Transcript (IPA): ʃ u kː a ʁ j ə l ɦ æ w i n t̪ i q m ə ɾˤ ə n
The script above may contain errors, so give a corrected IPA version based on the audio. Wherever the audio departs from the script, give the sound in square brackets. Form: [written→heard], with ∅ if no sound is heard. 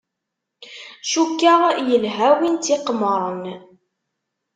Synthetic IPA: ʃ u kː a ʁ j ə l ɦ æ w i n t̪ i q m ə ɾˤ ə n